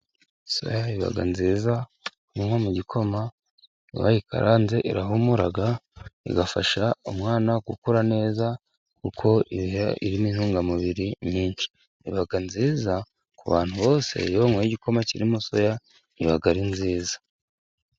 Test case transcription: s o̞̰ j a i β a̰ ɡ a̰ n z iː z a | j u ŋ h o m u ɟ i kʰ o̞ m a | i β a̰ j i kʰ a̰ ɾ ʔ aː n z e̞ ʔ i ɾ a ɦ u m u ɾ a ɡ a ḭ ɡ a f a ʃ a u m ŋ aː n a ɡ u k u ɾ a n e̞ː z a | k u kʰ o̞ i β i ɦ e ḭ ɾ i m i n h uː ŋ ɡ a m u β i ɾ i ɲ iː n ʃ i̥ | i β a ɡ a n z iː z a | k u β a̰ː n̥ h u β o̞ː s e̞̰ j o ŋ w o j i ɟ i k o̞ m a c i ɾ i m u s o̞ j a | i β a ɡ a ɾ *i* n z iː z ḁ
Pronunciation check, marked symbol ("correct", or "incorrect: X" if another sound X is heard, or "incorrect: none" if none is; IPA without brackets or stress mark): correct